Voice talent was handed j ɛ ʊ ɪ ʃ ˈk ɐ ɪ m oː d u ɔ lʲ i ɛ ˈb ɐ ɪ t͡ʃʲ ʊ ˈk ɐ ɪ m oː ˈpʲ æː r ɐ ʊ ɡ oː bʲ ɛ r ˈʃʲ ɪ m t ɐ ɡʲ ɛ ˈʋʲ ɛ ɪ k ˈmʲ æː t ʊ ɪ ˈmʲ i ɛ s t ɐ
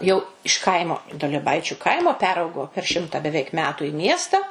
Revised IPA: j ɛ ʊ ɪ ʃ ˈk ɐ ɪ m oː d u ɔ lʲ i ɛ ˈb ɐ ɪ t͡ʃʲ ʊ ˈk ɐ ɪ m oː ˈpʲ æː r ɐ ʊ ɡ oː pʲ ɛ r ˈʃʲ ɪ m t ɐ bʲ ɛ ˈʋʲ ɛ ɪ k ˈmʲ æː t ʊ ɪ ˈmʲ i ɛ s t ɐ